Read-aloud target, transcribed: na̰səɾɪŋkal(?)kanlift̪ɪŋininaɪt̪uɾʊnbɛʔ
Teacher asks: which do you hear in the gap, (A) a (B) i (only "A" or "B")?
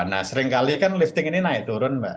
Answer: B